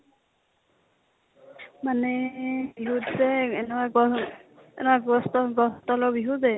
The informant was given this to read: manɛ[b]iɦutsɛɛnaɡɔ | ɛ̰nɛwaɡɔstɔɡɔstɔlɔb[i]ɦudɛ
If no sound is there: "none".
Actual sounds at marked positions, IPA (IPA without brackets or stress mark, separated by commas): b, i